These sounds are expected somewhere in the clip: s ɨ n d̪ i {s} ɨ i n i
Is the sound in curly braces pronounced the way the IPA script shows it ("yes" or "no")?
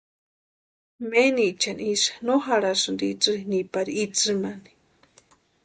no